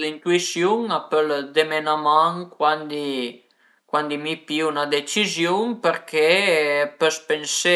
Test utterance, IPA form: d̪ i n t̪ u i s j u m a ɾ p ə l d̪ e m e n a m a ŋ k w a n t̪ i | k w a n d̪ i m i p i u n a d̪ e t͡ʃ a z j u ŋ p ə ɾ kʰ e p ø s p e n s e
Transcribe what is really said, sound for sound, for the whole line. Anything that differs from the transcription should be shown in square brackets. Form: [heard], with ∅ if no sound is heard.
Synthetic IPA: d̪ i n t̪ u i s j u [ŋ] a [∅] p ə l d̪ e m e n a m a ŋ k w a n [d̪] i | k w a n d̪ i m i p i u n a d̪ e t͡ʃ [i] z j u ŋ p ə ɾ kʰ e p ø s p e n s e